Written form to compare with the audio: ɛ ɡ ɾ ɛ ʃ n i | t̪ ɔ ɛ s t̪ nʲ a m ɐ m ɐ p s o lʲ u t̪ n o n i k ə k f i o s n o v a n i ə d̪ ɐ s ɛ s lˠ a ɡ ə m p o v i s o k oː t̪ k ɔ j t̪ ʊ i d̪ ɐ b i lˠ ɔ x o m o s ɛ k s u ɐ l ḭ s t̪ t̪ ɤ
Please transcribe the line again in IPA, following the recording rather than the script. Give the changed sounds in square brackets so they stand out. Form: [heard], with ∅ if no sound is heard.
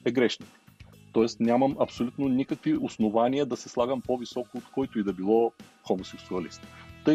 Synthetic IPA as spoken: ɛ ɡ ɾ ɛ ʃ n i | t̪ ɔ ɛ s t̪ nʲ a m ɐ m ɐ p s o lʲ u t̪ n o n i k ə k [v] i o s n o v a n i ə d̪ ɐ s ɛ s lˠ a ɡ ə m p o v i s [ɔ] k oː t̪ k ɔ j t̪ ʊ i d̪ ɐ b i lˠ ɔ x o m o s ɛ k s u ɐ l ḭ s t̪ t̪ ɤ